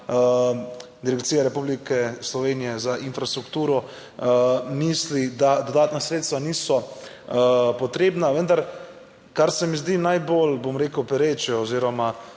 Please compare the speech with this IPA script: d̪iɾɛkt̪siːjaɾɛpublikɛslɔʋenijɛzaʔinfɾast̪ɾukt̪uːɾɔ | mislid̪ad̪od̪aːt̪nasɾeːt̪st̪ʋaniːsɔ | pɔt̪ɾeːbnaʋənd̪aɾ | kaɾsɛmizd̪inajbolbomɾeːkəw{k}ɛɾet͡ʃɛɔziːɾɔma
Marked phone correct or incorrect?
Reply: incorrect